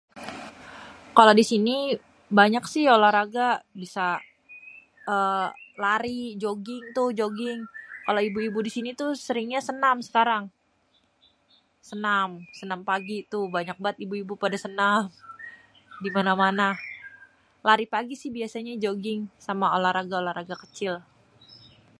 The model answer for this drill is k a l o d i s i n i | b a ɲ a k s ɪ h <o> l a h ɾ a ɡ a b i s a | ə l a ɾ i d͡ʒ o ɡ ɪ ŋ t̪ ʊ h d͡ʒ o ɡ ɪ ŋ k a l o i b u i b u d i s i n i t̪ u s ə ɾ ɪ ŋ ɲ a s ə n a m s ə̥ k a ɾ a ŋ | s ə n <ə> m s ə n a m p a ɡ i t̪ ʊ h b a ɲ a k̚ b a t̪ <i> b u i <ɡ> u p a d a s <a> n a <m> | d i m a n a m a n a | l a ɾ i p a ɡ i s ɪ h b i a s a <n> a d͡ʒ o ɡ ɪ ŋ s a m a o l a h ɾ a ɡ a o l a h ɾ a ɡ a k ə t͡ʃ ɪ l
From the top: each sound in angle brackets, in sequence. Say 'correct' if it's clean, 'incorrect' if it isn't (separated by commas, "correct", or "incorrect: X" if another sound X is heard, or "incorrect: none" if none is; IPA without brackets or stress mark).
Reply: correct, incorrect: a, correct, incorrect: b, incorrect: ə, correct, incorrect: ɲ